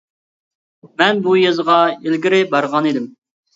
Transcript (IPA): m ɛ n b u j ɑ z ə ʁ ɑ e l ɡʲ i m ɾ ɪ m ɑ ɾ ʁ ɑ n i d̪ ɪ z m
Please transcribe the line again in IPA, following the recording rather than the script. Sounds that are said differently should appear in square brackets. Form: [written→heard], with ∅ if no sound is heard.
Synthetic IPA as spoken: m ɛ n b u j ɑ z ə ʁ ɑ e l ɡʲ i [m→∅] ɾ ɪ [m→b] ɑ ɾ ʁ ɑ n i d̪ ɪ [z→∅] m